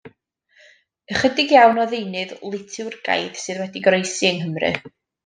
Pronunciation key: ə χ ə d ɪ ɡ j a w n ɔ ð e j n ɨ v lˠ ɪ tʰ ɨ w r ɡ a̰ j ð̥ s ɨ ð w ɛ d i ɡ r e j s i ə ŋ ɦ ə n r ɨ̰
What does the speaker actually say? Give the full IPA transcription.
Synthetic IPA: ə χ ə d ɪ ɡ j a w n ɔ ð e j n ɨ ð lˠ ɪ tʰ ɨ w r ɡ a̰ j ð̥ s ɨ ð w ɛ d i ɡ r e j s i ə ŋ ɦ ə m r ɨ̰